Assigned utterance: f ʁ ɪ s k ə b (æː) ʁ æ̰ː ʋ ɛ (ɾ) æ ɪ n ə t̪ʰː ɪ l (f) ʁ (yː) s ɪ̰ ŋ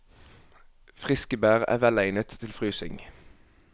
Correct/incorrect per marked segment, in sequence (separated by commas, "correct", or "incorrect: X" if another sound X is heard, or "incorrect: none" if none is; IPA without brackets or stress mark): correct, incorrect: l, correct, correct